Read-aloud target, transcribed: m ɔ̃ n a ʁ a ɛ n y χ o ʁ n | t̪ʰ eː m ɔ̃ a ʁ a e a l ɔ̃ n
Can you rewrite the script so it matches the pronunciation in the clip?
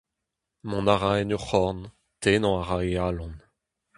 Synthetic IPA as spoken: m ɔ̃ n a ʁ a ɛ n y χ ɔ ʁ n | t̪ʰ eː n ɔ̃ a ʁ a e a l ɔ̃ n